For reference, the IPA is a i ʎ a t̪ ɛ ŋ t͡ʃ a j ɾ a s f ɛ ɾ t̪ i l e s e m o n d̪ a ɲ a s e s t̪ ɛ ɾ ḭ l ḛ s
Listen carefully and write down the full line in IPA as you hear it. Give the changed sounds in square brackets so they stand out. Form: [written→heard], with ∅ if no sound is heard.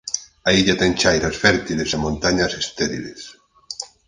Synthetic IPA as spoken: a i ʎ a t̪ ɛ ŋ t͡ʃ a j ɾ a s f ɛ ɾ t̪ i l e s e m o n [d̪→t̪] a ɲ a s e s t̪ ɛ ɾ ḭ l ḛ s